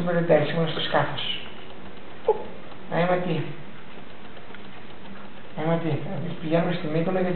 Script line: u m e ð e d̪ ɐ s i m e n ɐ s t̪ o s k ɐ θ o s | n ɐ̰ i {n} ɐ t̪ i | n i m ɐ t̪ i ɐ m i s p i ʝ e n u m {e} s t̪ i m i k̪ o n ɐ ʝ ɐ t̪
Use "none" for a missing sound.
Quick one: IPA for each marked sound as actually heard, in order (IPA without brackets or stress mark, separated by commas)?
m, e